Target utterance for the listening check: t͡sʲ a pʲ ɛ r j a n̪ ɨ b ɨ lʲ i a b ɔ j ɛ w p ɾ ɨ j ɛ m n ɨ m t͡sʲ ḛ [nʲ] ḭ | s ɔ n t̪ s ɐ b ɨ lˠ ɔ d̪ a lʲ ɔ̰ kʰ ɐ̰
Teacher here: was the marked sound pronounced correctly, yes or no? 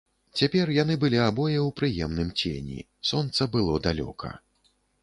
yes